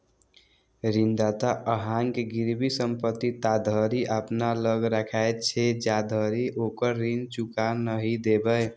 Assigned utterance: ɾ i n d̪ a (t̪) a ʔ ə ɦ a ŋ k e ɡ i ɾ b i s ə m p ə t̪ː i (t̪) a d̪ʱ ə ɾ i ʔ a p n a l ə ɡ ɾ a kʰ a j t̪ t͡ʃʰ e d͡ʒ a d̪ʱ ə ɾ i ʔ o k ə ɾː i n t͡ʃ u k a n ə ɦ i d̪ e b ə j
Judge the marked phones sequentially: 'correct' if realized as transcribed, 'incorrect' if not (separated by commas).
correct, correct